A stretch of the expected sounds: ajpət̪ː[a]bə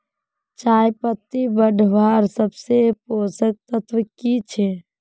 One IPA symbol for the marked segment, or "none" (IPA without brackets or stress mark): i